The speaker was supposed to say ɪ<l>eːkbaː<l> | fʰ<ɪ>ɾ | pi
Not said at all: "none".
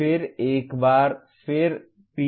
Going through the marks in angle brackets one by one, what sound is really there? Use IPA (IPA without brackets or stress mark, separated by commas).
ɾ, ɾ, ɪ